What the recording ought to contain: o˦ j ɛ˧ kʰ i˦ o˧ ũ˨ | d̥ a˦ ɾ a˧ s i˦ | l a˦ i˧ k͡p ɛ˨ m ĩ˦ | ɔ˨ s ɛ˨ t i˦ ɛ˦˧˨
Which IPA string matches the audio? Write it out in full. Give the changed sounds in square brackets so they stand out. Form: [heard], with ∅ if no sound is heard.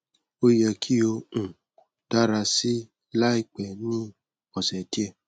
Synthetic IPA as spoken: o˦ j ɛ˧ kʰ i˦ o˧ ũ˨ | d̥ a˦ ɾ a˧ s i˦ | l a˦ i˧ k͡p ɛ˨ [n] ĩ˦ | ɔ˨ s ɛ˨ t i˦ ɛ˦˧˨